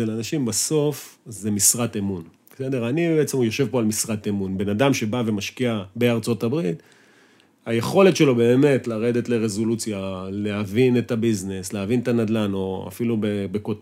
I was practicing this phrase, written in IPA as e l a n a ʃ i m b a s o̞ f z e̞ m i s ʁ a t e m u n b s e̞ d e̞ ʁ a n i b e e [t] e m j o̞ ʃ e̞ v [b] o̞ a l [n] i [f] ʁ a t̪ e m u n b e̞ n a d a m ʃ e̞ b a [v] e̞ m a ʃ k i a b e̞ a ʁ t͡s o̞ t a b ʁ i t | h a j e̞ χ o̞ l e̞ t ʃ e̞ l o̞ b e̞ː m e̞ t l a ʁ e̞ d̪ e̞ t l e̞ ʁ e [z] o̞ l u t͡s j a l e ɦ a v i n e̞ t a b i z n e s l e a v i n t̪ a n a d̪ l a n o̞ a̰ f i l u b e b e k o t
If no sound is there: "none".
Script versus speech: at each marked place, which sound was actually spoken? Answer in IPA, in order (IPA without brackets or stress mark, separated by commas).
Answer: t͡s, p, m, s, v, z